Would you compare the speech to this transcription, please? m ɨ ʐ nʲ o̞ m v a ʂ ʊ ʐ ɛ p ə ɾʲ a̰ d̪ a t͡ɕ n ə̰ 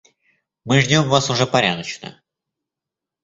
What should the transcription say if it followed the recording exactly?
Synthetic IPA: m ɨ ʐ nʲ o̞ m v a s ʊ ʐ ɛ p ɐ ɾʲ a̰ d̪ ə t͡ɕ n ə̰